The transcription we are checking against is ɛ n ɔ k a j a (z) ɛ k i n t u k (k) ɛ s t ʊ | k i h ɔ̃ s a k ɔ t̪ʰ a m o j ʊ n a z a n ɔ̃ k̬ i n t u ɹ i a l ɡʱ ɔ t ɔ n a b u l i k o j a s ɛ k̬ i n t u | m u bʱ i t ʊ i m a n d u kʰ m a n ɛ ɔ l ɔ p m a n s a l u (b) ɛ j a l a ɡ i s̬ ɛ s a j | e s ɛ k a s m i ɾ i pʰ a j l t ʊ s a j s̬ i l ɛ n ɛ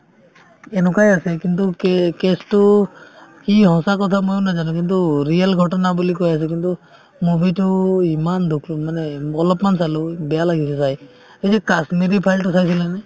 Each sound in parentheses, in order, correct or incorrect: incorrect, correct, correct

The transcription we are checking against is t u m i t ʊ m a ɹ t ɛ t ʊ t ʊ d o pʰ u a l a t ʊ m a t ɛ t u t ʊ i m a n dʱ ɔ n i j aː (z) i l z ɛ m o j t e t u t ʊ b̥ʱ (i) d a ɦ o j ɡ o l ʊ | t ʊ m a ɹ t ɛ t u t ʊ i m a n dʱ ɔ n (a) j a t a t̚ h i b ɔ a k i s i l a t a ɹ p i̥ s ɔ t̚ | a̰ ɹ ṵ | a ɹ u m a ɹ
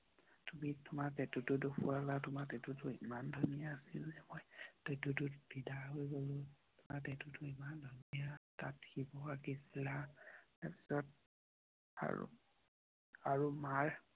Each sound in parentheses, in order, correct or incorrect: incorrect, correct, incorrect

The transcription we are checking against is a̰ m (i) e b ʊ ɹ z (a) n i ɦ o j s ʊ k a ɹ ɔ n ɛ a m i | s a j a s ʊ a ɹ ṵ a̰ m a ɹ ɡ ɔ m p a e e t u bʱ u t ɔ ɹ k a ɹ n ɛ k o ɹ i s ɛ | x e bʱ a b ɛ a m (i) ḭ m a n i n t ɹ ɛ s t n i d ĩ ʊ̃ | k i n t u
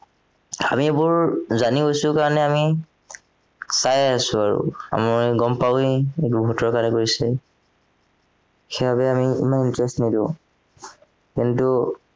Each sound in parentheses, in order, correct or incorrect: correct, correct, correct

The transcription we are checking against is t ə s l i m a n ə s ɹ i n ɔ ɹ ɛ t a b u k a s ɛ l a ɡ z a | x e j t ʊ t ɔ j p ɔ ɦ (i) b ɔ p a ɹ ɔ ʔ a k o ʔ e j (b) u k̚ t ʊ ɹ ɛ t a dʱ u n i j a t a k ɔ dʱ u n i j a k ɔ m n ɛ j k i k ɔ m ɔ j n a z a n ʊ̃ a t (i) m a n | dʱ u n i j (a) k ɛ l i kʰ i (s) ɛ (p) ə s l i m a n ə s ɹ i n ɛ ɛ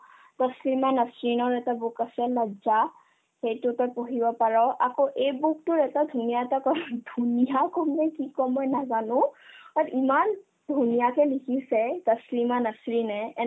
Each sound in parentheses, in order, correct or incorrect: correct, correct, correct, correct, correct, incorrect

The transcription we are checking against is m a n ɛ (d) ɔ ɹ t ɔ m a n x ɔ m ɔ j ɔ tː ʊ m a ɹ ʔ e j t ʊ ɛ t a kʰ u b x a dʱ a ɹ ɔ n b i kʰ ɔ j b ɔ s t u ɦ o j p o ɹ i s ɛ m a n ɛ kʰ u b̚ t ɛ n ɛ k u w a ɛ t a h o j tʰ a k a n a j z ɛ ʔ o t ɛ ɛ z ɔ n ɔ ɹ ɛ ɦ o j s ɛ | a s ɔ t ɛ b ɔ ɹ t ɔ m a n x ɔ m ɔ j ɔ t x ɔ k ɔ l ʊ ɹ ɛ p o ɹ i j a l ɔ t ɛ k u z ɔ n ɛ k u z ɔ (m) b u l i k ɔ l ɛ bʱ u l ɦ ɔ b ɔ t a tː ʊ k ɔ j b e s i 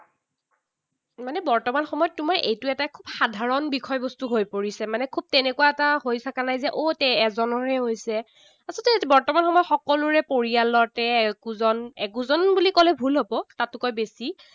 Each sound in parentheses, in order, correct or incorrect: incorrect, incorrect

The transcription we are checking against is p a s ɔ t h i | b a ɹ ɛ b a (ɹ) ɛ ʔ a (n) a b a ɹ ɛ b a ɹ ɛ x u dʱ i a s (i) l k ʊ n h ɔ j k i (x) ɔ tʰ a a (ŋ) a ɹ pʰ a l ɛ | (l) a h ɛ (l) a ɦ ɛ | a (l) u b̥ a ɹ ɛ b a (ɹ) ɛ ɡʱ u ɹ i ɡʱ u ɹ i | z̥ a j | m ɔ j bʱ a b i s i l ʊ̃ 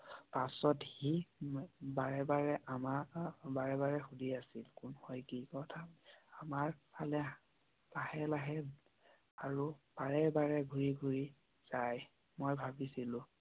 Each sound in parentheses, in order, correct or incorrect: correct, incorrect, correct, incorrect, incorrect, correct, correct, incorrect, correct

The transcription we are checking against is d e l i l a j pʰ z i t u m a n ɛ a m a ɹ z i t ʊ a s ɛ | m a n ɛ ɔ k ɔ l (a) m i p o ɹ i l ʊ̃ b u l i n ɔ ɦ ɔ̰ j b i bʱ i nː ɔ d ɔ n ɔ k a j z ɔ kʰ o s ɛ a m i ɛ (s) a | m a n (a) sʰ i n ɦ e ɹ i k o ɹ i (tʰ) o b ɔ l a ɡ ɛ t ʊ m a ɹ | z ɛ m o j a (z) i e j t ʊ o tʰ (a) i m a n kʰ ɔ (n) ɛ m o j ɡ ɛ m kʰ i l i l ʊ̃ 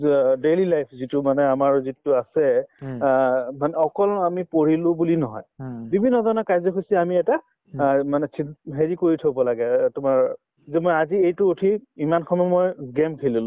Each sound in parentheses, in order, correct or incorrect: correct, incorrect, incorrect, correct, correct, incorrect, incorrect

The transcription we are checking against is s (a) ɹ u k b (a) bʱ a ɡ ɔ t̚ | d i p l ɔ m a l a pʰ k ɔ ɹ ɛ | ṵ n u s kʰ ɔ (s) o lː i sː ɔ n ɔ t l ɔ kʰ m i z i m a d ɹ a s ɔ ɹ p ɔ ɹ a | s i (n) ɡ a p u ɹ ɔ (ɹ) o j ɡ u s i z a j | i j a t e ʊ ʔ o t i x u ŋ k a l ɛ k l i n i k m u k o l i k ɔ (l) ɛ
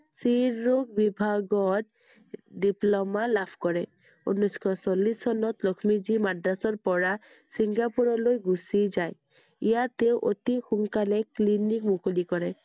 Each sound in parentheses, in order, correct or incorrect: incorrect, incorrect, correct, incorrect, incorrect, incorrect

